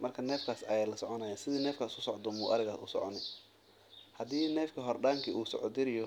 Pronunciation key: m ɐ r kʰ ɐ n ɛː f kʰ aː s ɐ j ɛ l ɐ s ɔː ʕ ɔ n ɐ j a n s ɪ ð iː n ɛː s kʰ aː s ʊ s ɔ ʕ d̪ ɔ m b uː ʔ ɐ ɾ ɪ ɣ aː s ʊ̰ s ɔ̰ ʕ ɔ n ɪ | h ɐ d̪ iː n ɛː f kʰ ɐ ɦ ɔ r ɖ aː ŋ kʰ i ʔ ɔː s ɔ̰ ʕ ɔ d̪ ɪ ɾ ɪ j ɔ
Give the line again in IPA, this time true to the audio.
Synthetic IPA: m ɐ r kʰ ɐ n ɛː f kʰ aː s ɐ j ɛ l ɐ s ɔ ʕ ɔ n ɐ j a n s ɪ ð iː n ɛː f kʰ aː s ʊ s ɔ ʕ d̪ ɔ m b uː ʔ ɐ ɾ ɪ ɣ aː s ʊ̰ s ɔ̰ ʕ ɔ n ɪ | h ɐ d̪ iː n ɛː f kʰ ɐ ɦ ɔ r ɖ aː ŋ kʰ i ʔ uː s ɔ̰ ʕ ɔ d̪ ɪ ɾ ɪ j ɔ